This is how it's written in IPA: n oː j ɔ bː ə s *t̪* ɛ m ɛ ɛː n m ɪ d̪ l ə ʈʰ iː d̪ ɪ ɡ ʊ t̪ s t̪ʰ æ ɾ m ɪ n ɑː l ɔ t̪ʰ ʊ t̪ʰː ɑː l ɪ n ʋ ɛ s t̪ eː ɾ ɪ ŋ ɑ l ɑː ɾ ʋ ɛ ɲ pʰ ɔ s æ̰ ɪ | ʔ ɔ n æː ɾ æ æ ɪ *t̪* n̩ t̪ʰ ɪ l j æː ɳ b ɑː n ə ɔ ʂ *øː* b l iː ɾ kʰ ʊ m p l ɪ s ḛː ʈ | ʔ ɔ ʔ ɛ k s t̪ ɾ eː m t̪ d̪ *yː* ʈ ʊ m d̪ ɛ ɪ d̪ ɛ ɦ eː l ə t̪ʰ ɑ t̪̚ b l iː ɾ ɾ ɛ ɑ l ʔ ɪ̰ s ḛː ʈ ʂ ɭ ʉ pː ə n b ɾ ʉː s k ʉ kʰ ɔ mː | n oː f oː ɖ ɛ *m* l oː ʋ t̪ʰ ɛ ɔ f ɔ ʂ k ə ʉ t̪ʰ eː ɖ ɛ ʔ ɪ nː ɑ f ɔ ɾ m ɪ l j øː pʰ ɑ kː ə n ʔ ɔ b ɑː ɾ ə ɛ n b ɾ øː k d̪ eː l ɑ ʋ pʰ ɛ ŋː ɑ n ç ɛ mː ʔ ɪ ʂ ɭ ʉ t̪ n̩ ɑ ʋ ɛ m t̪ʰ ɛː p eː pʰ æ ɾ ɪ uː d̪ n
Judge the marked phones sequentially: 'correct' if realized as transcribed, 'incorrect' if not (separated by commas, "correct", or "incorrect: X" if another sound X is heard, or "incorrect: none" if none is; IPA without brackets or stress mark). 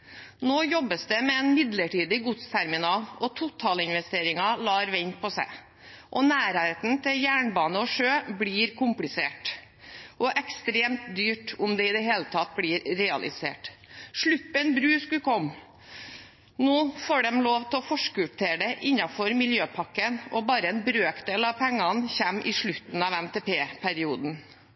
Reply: incorrect: d̪, correct, correct, correct, correct